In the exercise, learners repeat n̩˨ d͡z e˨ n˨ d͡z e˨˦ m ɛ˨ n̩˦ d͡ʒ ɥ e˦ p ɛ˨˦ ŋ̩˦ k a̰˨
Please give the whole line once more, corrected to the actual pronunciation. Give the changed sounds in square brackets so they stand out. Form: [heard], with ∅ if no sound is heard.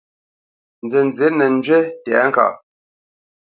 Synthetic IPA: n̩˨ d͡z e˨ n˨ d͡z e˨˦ [n] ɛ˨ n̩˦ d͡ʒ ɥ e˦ [t] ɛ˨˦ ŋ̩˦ k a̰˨